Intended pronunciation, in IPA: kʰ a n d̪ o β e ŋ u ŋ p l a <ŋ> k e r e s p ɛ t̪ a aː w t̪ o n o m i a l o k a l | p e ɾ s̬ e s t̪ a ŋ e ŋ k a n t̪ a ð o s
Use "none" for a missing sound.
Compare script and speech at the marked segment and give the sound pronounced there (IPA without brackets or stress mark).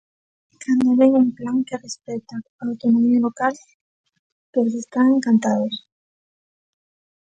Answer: ŋ